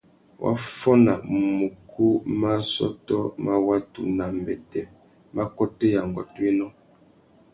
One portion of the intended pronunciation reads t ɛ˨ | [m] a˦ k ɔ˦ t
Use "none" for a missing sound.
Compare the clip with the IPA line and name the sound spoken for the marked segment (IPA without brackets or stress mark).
m